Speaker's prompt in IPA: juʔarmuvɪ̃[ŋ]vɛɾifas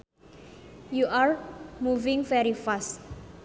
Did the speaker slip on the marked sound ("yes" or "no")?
no